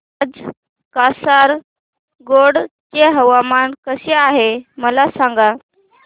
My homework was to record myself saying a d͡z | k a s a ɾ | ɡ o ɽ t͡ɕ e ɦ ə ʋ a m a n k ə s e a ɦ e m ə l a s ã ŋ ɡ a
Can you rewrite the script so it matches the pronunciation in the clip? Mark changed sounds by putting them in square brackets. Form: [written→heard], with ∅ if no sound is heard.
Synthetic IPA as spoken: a d͡z | k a s a ɾ | ɡ o ɽ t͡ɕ e ɦ ə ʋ a m a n k ə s e a ɦ e m ə l a s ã ŋ ɡ a